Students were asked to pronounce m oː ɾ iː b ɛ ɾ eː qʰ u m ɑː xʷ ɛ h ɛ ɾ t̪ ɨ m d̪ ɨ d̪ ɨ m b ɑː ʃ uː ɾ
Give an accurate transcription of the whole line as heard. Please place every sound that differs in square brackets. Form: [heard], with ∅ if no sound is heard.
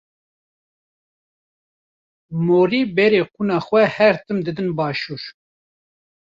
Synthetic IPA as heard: m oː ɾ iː b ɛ ɾ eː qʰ u [n] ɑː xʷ ɛ h ɛ ɾ t̪ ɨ m d̪ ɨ d̪ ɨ [n] b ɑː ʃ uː ɾ

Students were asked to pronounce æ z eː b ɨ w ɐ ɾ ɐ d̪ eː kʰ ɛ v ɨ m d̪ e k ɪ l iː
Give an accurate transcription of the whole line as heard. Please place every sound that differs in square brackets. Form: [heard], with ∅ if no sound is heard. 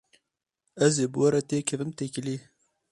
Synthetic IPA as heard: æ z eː b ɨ w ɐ ɾ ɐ [t̪] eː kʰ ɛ v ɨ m [t̪] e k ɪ l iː

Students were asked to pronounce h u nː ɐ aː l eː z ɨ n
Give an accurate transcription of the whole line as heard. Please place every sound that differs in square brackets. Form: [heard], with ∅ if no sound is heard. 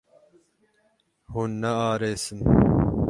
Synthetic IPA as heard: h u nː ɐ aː [ɾ] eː [s] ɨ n

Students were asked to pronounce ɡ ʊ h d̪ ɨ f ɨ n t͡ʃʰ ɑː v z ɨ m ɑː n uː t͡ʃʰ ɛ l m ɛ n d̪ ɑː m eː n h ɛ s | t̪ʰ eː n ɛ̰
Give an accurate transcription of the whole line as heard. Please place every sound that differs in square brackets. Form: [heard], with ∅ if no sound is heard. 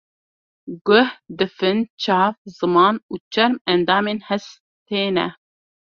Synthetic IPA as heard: ɡ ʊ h d̪ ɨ f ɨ n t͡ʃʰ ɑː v z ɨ m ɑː n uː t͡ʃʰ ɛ [ɾ] m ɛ n d̪ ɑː m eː n h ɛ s | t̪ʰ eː n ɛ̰

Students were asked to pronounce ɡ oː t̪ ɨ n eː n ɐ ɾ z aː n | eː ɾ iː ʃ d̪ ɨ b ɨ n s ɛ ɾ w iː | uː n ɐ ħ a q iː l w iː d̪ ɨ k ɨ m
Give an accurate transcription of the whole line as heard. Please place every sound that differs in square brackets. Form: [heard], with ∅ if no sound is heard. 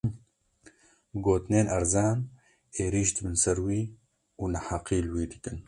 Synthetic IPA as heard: ɡ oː t̪ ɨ n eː n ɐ ɾ z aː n | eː ɾ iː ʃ d̪ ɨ b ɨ n s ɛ ɾ w iː | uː n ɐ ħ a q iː l w iː d̪ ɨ k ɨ [n]

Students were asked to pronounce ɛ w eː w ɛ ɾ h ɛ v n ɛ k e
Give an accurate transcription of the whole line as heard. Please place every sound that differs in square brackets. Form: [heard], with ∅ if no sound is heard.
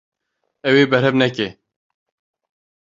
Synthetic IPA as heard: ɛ w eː [b] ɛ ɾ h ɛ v n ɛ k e

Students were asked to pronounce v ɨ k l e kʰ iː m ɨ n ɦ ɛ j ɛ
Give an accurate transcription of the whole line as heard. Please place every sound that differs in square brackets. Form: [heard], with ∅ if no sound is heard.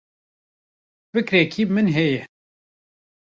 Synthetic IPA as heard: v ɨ k [ɾ] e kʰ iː m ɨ n ɦ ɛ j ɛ

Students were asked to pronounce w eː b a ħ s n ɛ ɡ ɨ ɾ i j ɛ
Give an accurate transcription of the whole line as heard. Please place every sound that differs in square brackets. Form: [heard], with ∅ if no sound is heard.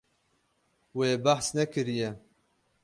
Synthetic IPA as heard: w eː b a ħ s n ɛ [k] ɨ ɾ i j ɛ

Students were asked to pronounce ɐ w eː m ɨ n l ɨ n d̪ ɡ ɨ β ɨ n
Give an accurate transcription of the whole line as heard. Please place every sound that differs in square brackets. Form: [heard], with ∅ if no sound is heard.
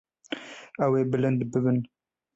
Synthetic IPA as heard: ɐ w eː [b] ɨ [∅] l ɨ n d̪ [b] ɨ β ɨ n

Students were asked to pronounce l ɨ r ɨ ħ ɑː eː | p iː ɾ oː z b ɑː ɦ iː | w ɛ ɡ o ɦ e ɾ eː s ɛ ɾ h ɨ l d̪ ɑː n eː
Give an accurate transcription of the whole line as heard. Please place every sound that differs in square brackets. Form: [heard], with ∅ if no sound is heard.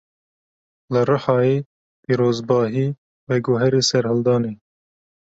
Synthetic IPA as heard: l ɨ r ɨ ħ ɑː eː | p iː ɾ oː z b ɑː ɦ iː | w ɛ ɡ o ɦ [ɛ] ɾ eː s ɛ ɾ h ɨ l d̪ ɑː n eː

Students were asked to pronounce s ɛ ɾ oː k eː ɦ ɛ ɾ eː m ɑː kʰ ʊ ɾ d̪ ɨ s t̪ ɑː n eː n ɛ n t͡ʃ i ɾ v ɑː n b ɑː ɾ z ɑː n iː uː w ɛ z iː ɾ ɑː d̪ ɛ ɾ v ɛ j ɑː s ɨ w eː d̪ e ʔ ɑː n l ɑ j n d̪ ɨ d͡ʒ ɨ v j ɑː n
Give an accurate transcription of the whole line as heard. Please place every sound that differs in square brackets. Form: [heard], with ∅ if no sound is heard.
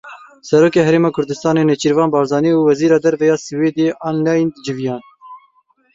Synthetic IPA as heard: s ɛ ɾ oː k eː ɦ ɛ ɾ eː m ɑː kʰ ʊ ɾ d̪ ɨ s t̪ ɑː n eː n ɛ [∅] t͡ʃ i ɾ v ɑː n b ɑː ɾ z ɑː n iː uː w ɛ z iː ɾ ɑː d̪ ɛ ɾ v ɛ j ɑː s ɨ w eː d̪ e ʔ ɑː n l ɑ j n d̪ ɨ d͡ʒ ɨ v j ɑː n

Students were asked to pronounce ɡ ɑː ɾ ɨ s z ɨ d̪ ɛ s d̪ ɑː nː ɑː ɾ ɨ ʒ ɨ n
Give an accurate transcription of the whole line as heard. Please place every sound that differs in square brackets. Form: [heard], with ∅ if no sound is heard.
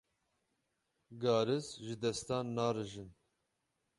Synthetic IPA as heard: ɡ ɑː ɾ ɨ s [ʒ] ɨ d̪ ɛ s [t̪] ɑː nː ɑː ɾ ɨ ʒ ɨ n

